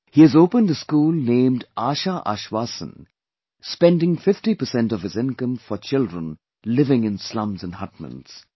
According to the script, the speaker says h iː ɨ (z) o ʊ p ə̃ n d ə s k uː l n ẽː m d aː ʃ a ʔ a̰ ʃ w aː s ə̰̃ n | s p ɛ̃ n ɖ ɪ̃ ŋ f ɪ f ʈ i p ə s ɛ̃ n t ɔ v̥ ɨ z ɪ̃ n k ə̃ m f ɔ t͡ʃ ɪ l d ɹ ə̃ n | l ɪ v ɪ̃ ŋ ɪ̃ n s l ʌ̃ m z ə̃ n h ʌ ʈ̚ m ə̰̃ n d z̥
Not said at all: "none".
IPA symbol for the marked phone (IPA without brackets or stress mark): z